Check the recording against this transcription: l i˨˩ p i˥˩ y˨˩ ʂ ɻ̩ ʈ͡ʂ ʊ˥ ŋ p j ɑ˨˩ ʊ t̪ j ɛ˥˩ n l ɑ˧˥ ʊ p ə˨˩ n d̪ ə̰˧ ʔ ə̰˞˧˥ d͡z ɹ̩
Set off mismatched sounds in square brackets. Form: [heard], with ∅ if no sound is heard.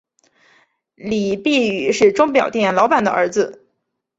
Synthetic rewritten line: l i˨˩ p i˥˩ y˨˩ ʂ ɻ̩ ʈ͡ʂ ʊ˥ ŋ p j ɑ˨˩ ʊ t̪ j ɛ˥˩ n l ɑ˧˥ ʊ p [a˨˩] n d̪ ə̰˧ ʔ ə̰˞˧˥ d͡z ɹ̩